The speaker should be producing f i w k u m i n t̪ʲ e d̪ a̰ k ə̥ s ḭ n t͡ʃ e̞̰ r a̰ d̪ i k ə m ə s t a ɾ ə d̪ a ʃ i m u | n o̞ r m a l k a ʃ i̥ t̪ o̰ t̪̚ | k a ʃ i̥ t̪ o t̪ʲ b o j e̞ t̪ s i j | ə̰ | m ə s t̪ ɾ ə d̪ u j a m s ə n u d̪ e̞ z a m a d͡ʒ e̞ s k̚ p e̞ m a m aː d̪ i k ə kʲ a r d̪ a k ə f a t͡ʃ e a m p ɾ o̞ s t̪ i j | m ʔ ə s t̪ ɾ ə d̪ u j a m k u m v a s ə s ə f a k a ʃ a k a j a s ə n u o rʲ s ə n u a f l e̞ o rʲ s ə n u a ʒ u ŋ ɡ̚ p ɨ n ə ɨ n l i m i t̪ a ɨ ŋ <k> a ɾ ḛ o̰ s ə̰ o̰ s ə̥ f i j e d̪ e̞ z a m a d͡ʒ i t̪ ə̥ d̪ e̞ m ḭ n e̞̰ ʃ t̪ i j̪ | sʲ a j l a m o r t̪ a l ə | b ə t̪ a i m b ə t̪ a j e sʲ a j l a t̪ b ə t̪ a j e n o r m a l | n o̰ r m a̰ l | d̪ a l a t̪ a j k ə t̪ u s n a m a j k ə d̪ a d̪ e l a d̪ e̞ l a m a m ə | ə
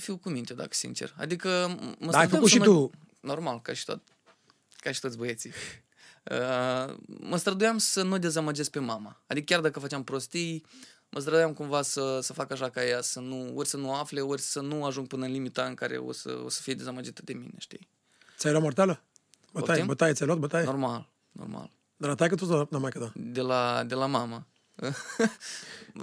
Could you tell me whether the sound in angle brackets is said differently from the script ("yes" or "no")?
no